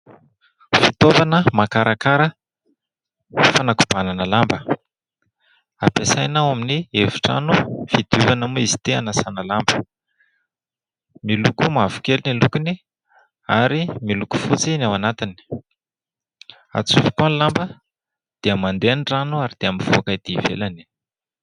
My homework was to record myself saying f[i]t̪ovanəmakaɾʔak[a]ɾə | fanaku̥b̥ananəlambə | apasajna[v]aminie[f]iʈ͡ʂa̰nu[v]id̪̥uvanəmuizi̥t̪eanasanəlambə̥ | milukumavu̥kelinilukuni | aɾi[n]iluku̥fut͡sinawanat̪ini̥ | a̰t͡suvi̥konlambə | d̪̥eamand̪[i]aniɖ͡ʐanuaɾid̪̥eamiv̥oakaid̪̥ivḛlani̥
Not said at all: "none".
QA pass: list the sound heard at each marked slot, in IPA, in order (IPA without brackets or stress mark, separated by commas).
i, a, w, v, f, m, e